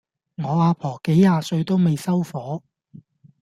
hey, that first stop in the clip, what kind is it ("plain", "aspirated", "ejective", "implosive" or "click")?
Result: aspirated